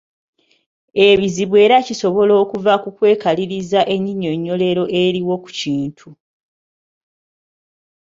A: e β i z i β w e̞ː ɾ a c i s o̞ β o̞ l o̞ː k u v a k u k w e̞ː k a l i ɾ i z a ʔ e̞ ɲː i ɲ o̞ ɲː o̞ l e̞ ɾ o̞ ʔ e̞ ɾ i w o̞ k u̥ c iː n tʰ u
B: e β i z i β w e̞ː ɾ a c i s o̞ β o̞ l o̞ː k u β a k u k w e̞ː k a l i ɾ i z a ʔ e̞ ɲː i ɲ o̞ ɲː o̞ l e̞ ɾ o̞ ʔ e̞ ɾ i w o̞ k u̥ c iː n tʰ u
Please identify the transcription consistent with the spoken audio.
A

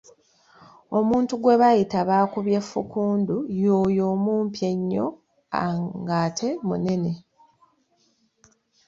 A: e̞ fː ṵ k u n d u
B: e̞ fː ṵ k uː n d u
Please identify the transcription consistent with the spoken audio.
B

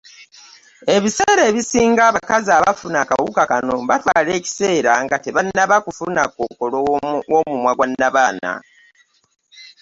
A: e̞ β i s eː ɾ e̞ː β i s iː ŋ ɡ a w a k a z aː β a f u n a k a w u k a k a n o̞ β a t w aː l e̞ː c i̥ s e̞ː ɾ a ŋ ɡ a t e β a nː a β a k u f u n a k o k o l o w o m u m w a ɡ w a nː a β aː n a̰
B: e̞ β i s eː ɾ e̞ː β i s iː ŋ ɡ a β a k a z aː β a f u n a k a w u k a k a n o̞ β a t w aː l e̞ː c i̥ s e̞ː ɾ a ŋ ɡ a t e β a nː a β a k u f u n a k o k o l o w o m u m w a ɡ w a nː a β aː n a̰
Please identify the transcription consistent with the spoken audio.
B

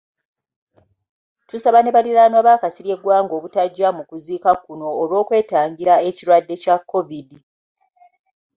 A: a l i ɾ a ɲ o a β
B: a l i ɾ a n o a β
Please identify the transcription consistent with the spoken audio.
B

